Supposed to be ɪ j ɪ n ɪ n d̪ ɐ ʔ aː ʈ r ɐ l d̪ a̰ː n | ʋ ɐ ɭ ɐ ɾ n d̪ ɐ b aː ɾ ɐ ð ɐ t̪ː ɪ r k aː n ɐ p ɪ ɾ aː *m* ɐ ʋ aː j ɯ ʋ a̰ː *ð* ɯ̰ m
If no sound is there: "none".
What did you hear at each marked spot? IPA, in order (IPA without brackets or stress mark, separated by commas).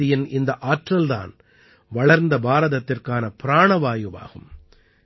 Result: ɳ, ɣ